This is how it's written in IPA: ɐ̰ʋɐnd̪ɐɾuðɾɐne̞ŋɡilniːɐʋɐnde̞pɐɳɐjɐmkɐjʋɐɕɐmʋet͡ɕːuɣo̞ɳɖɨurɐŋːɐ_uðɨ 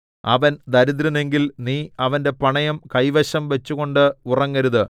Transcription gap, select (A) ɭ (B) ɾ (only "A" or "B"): B